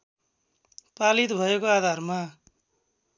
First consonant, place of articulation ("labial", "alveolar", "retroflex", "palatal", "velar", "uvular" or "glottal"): labial